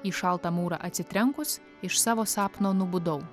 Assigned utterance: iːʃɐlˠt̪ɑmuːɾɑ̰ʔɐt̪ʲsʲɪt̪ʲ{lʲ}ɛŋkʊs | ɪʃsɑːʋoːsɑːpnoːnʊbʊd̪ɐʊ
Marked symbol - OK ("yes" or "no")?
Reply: no